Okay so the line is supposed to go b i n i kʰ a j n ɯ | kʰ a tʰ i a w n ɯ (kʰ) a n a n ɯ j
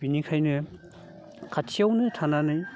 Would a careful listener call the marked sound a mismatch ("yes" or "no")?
yes